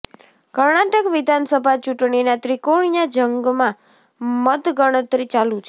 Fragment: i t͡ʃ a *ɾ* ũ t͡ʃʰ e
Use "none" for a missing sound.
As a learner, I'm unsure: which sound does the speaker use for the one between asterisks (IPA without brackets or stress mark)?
l